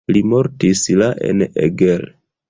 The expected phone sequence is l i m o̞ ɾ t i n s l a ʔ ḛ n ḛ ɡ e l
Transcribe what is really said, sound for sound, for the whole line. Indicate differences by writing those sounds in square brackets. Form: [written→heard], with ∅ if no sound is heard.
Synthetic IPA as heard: l i m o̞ ɾ t i [n→∅] s l a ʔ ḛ n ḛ ɡ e l